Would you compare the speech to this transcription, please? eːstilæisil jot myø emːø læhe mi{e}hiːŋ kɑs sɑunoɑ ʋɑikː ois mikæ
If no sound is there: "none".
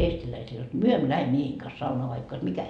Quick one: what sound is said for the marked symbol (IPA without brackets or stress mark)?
e